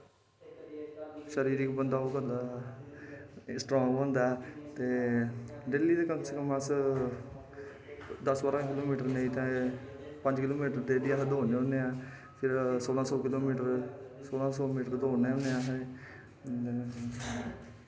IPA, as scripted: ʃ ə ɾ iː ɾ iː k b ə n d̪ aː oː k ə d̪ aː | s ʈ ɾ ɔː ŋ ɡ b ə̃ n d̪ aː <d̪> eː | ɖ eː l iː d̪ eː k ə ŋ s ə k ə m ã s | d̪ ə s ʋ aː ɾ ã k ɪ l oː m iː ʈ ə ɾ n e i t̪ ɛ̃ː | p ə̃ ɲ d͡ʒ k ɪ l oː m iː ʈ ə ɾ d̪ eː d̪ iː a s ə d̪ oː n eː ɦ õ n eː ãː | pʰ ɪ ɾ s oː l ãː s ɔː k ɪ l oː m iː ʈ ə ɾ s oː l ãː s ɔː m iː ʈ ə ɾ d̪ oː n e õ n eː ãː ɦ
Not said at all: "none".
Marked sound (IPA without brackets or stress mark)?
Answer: t̪